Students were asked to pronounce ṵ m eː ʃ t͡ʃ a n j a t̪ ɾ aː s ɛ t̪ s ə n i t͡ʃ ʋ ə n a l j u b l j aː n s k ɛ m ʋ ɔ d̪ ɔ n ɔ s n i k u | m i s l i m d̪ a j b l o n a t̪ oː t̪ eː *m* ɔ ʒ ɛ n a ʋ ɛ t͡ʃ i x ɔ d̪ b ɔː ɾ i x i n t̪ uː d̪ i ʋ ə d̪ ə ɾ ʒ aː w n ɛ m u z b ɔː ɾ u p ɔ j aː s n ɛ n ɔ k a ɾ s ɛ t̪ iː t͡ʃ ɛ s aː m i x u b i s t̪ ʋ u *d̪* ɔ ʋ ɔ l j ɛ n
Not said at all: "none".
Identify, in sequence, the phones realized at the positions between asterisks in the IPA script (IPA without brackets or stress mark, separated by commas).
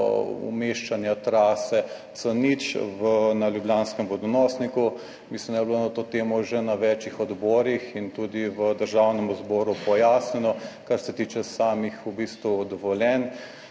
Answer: m, d̪